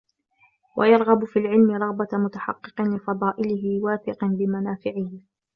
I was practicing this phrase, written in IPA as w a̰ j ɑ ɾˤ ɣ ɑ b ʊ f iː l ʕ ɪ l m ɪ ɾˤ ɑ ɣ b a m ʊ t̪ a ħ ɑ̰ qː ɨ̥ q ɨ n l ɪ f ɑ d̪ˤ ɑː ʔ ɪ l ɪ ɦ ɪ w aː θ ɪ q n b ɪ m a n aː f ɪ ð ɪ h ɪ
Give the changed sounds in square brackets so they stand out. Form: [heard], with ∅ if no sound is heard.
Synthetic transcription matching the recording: w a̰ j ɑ ɾˤ ɣ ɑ b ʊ f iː l ʕ ɪ l m ɪ ɾˤ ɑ ɣ b a m ʊ t̪ a ħ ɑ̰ qː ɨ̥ q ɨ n l ɪ f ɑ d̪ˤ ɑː ʔ ɪ l ɪ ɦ ɪ w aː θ ɪ q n b ɪ m a n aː f ɪ [ʕ] ɪ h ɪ

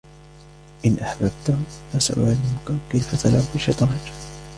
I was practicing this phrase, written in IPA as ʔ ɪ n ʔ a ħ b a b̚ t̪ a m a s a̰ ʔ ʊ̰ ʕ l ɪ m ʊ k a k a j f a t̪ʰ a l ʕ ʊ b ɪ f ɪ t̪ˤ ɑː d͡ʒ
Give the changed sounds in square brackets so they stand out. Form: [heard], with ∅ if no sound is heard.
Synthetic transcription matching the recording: ʔ ɪ n ʔ a ħ b a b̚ t̪ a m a s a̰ ʔ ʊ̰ ʕ l ɪ m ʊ k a k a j f a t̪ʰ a l ʕ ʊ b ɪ [ʃ] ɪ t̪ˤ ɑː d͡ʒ

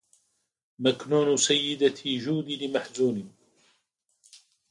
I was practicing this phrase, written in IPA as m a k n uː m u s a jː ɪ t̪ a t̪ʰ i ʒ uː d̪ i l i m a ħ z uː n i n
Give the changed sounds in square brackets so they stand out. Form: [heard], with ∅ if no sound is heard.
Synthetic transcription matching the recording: m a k n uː [n] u s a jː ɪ [d̪] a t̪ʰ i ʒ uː d̪ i l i m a ħ z uː n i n

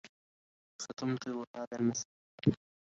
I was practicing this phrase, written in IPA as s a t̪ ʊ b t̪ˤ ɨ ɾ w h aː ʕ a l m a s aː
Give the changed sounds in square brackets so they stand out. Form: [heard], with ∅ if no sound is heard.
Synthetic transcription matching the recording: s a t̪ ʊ [m] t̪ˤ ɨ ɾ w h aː [ð] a l m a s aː

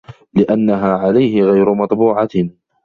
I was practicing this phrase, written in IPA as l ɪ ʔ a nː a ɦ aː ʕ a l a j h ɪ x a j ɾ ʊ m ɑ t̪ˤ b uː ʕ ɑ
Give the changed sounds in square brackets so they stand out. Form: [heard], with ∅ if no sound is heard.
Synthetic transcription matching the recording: l ɪ ʔ a nː a ɦ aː ʕ a l a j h ɪ [ɣ] a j ɾ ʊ m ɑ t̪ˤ b uː ʕ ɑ

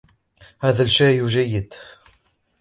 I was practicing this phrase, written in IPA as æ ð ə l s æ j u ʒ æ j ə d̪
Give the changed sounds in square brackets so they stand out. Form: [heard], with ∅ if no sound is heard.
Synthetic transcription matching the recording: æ ð ə l [ʃ] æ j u ʒ æ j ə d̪

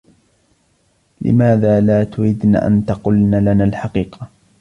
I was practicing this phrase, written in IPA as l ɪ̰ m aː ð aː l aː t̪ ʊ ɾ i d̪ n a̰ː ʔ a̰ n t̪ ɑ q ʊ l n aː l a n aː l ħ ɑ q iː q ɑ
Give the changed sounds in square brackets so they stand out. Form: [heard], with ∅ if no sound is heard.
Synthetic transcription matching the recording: l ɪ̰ m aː ð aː l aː t̪ ʊ ɾ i d̪ n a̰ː ʔ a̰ n t̪ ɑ q ʊ l n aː l a n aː l ħ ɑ q iː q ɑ

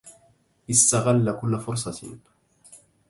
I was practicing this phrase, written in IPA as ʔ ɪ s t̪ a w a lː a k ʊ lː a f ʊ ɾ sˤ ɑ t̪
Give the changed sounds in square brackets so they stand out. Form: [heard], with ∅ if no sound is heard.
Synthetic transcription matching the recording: ʔ ɪ s t̪ a [ɣ] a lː a k ʊ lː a f ʊ ɾ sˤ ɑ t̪

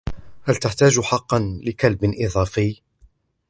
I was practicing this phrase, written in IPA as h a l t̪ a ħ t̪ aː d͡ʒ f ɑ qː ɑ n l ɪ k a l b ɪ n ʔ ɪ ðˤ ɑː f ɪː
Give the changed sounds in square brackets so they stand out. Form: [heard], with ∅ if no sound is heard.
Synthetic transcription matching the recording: h a l t̪ a ħ t̪ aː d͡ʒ [ħ] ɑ qː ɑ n l ɪ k a l b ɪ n ʔ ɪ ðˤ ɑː f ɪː

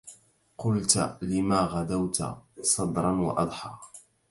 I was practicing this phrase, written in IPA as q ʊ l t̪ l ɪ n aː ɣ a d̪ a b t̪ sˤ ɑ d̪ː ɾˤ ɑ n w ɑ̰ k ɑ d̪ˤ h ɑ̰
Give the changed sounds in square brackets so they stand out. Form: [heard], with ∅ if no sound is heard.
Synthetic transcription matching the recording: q ʊ l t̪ l ɪ [m] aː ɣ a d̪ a [w] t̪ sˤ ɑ [d̪] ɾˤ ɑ n w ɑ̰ [ʔ] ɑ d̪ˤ [ħ] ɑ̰

